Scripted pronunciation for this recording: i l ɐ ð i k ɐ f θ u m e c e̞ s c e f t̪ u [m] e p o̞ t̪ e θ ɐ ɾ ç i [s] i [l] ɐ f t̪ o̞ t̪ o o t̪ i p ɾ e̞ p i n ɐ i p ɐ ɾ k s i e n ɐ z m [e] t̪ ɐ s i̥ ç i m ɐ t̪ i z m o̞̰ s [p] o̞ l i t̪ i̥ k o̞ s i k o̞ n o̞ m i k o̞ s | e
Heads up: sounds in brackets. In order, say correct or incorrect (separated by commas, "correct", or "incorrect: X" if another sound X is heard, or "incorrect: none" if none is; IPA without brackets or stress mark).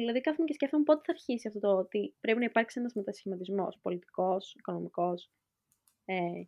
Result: correct, correct, incorrect: none, correct, correct